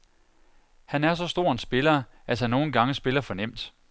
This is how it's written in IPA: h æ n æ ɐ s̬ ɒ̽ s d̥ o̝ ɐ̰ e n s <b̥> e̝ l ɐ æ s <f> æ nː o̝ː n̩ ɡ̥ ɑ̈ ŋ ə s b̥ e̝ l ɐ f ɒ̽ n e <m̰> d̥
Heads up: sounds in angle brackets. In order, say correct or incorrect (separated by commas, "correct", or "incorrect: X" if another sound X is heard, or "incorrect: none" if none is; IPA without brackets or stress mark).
correct, incorrect: h, correct